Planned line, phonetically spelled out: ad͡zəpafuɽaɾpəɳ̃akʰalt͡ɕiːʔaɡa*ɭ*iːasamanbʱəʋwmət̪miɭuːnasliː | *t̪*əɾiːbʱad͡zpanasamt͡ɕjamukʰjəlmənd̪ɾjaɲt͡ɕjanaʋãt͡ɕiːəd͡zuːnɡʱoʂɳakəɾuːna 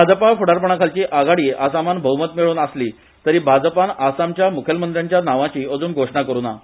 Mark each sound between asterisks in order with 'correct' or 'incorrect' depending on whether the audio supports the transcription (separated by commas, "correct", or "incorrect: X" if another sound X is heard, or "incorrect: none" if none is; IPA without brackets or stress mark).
incorrect: ɽ, correct